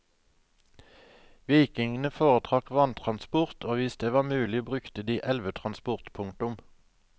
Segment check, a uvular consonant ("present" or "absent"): present